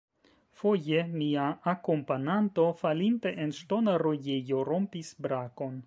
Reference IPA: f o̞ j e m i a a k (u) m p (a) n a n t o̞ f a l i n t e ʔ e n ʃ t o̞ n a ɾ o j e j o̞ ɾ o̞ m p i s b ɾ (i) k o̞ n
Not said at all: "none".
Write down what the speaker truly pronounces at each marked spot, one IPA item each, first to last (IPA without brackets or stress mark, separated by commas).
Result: o, a, a